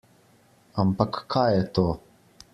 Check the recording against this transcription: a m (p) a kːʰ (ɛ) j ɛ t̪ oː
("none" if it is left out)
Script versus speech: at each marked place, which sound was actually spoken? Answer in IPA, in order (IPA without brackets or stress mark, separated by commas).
p, a